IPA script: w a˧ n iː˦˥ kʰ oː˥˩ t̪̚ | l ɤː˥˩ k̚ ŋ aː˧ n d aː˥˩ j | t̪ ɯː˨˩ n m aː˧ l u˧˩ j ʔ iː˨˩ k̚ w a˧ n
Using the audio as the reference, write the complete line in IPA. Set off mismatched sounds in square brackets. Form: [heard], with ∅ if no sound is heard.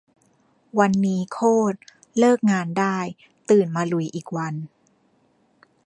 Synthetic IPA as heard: w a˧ [nː] iː˦˥ kʰ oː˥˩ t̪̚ | l ɤː˥˩ k̚ ŋ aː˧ n d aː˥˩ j | t̪ ɯː˨˩ n m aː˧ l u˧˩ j ʔ iː˨˩ k̚ w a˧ n